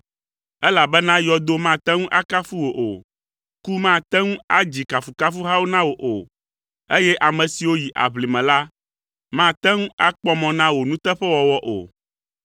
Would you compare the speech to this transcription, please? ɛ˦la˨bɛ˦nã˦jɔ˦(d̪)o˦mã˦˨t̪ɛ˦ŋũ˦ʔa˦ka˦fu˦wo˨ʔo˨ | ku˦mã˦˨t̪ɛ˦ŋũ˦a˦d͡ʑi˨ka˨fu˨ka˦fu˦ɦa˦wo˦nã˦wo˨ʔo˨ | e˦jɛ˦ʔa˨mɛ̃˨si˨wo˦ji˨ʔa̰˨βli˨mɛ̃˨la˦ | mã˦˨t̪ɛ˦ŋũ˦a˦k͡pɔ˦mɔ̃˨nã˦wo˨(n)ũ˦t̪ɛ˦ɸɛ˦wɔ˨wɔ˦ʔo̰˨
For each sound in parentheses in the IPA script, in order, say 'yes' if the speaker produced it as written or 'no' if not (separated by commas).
yes, yes